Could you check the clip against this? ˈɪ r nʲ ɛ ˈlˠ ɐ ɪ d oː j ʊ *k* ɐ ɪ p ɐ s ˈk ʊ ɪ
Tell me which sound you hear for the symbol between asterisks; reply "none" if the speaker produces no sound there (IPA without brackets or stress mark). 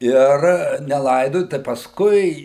t